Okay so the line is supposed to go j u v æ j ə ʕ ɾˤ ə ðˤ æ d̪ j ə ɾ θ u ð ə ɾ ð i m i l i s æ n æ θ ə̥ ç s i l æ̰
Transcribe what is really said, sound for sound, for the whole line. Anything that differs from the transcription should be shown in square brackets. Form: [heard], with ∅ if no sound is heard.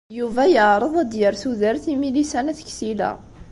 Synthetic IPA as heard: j u v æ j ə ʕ ɾˤ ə ðˤ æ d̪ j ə ɾ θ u ð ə ɾ [θ] i m i l i s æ n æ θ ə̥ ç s i l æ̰